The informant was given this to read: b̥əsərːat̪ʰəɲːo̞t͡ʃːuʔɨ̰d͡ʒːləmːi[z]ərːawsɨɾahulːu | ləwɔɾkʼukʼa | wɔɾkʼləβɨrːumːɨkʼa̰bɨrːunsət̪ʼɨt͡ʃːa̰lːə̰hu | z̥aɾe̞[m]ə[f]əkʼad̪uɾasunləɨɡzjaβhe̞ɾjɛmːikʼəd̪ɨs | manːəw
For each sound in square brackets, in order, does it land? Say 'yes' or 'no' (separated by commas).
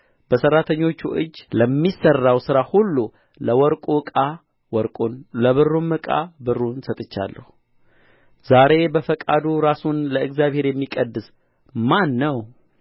no, no, yes